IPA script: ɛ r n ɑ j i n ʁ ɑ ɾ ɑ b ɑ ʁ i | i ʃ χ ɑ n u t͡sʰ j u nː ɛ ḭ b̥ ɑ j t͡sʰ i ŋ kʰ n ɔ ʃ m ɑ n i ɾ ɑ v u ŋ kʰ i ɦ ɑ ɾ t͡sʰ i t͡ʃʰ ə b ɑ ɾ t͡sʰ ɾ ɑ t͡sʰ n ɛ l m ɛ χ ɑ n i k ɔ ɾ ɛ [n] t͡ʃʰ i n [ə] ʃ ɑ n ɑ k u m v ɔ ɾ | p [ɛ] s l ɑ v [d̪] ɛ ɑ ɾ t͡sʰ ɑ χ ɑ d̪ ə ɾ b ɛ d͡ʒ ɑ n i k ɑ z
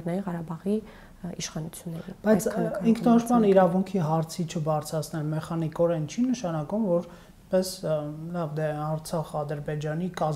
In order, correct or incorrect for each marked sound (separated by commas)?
correct, correct, correct, correct